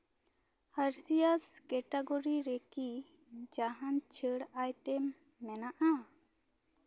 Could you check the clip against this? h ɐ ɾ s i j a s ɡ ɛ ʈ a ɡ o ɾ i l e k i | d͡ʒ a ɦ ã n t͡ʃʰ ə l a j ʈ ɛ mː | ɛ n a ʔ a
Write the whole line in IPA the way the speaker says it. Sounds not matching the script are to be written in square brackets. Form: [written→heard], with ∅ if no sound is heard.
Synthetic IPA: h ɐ ɾ s i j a s [ɡ→k] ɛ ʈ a ɡ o ɾ i [l→ɾ] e k i | d͡ʒ a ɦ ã n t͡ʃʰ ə [l→ɽ] a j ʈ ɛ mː | ɛ n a ʔ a